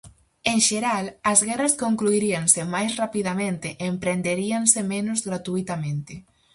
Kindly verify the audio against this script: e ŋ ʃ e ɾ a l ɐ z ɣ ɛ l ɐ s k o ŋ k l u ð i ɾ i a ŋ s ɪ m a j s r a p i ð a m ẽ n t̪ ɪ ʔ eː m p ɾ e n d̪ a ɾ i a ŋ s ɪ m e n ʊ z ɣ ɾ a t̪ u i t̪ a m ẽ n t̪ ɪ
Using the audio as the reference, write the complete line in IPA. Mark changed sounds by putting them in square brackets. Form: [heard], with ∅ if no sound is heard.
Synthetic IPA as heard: e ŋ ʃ e ɾ a l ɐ z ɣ ɛ [r] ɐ s k o ŋ k l u [∅] i ɾ i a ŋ s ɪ m a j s r a p i ð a m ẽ n t̪ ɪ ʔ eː m p ɾ e n d̪ [e] ɾ i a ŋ s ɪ m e n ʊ z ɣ ɾ a t̪ u i t̪ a m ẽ n t̪ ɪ